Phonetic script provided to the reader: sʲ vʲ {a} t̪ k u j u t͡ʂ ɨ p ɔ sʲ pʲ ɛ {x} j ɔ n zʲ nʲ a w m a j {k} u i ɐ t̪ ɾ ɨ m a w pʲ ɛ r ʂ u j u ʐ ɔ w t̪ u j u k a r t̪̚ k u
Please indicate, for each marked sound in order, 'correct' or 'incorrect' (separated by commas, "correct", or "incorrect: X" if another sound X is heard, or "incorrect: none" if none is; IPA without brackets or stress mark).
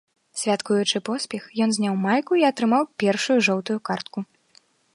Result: correct, correct, correct